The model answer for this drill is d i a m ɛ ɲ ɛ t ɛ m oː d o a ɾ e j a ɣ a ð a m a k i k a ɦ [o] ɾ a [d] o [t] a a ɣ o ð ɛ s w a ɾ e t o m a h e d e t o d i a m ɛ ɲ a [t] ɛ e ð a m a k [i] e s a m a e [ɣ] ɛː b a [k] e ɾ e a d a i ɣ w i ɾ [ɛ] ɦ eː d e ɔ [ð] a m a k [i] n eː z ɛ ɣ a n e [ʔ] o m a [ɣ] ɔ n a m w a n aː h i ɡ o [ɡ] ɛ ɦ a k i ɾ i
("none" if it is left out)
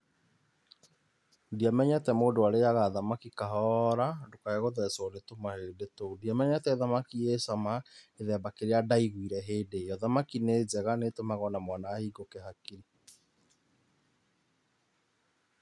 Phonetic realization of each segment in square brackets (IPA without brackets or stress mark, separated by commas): ɔ, d, k, t, i, ð, k, ɛ, ð, i, t, ɣ, k